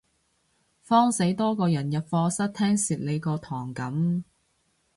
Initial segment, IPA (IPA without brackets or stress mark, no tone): f